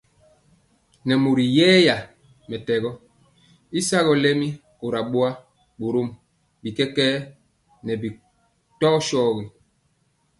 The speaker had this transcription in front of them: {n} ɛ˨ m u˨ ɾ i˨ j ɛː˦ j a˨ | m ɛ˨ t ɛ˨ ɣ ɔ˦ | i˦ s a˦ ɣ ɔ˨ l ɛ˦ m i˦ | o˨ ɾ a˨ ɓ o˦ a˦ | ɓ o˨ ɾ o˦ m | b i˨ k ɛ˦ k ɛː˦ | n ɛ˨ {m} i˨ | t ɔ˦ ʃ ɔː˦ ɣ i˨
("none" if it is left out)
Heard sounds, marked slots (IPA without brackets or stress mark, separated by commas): n, b